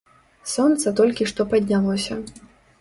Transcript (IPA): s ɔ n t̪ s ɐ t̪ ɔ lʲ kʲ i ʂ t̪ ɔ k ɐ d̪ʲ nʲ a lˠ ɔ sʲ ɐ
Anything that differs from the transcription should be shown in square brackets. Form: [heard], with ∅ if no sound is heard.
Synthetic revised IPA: s ɔ n t̪ s ɐ t̪ ɔ lʲ kʲ i ʂ t̪ ɔ [p] ɐ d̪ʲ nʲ a lˠ ɔ sʲ ɐ